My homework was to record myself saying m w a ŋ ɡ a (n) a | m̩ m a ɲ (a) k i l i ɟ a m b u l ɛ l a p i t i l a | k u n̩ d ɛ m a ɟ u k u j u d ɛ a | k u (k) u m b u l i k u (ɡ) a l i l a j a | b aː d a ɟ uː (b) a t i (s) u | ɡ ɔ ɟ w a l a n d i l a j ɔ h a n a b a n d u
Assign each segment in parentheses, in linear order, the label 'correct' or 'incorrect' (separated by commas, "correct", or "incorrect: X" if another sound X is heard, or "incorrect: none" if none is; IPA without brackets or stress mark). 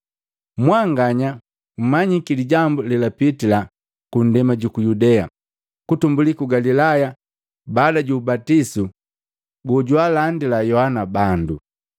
incorrect: ɲ, incorrect: i, incorrect: t, correct, correct, correct